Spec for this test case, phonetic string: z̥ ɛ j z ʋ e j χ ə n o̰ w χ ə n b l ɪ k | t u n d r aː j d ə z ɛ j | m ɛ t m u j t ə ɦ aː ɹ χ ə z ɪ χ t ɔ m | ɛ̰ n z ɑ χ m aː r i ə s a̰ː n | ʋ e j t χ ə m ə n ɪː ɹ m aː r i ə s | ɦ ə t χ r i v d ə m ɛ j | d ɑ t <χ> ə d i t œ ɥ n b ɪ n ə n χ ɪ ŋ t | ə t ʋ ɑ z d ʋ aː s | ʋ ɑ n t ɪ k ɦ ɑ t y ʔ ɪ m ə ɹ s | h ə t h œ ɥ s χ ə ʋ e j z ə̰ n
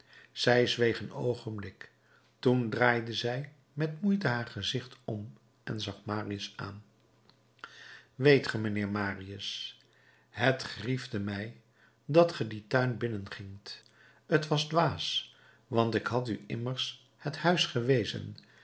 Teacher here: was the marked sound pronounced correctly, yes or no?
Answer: yes